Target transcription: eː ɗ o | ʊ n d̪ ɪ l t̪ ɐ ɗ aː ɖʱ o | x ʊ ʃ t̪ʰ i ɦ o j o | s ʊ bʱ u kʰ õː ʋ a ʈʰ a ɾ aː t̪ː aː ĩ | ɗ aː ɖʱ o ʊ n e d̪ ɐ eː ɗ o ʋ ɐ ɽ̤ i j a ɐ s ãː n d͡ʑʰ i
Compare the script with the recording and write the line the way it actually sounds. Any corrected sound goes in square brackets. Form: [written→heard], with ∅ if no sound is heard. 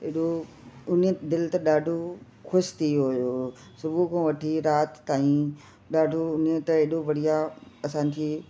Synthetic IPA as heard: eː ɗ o | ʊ n d̪ ɪ l t̪ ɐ ɗ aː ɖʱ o | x ʊ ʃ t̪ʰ i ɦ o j o | s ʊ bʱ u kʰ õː ʋ [a→ɐ] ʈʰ [a→i] ɾ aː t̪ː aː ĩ | ɗ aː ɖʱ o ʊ n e [d̪→t̪] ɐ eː ɗ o ʋ ɐ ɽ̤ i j a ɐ s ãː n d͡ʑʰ i